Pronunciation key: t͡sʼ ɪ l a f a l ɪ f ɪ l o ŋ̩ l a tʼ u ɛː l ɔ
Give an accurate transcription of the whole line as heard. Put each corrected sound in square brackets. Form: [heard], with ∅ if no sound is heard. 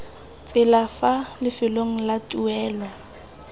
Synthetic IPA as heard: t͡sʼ ɪ l a f a l ɪ f ɪ l o ŋ̩ l a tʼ u ɛː l ɔ